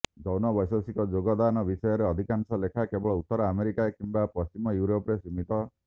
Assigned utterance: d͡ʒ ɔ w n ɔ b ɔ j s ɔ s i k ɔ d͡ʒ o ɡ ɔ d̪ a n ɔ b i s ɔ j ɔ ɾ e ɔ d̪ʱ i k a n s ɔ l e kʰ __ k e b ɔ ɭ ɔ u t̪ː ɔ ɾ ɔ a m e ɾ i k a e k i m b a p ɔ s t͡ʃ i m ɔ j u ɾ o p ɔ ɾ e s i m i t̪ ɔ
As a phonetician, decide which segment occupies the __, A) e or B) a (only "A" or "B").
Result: B